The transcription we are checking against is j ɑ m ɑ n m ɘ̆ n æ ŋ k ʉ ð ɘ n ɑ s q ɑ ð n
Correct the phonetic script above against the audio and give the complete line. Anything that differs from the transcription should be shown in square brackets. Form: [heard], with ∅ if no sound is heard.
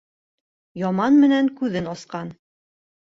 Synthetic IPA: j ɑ m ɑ n m ɘ̆ n æ ŋ k ʉ ð ɘ n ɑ s q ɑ [∅] n